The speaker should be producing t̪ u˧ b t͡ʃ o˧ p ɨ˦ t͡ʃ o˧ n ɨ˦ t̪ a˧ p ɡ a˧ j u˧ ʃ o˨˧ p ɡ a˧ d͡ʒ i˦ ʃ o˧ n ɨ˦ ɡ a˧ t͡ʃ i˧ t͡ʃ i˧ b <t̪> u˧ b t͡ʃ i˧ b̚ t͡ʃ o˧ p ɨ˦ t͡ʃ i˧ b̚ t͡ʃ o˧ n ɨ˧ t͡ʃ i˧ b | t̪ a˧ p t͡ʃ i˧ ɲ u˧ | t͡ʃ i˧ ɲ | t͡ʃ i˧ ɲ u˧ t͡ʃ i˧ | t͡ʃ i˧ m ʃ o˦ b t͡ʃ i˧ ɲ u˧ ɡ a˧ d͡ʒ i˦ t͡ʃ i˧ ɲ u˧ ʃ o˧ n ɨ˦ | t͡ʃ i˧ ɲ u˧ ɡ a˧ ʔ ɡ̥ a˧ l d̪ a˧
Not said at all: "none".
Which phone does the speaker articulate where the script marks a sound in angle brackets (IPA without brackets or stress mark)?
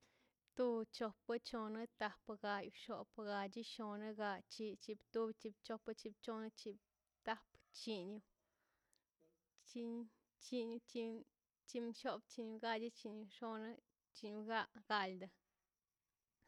t̪